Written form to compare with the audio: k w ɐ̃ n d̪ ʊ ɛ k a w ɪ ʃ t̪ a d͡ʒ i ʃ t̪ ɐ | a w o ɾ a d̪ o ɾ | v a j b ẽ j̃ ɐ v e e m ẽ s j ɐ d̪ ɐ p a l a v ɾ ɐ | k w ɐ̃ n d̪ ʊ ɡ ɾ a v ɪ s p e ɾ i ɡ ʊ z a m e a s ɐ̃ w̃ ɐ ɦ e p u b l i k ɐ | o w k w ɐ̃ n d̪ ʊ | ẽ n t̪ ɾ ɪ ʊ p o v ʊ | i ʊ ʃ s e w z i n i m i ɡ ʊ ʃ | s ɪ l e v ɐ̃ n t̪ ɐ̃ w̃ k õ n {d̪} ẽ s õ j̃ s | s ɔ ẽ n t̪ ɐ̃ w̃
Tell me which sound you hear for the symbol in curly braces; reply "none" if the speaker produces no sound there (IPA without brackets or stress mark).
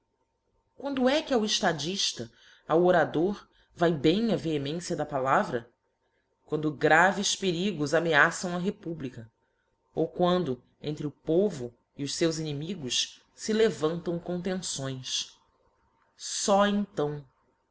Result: t̪